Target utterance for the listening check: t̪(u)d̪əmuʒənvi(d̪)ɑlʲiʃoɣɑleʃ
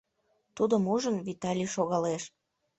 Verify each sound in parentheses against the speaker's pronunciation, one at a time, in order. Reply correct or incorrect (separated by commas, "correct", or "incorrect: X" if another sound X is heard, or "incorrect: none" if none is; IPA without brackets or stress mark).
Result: correct, incorrect: t̪